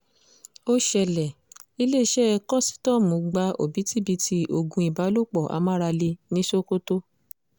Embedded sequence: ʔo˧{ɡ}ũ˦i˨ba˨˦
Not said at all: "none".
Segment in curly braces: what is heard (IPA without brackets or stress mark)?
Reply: ɡ